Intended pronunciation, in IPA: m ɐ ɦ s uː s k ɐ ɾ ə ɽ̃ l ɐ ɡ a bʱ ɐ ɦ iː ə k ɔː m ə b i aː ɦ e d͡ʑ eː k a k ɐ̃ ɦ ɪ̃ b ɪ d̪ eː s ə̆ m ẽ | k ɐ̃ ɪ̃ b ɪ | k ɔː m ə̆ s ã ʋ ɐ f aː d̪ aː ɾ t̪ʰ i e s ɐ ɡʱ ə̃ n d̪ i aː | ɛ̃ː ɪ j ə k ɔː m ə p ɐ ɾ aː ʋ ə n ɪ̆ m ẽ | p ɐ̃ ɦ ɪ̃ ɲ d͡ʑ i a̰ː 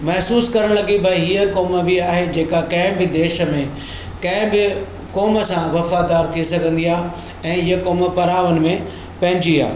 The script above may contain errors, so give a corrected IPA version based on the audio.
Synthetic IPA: m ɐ ɦ s uː s k ɐ ɾ ə ɽ̃ l ɐ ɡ i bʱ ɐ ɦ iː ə k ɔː m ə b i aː ɦ e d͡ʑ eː k a k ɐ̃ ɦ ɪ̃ b ɪ d̪ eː ʃ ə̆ m ẽ | k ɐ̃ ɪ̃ b ɪ | k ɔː m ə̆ s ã ʋ ɐ f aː d̪ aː ɾ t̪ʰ i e s ɐ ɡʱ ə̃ n d̪ i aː | ɛ̃ː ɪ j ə k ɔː m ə p ɐ ɾ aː ʋ ə n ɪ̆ m ẽ | p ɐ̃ ɦ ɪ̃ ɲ d͡ʑ i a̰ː